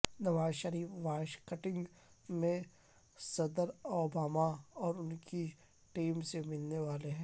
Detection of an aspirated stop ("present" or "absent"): absent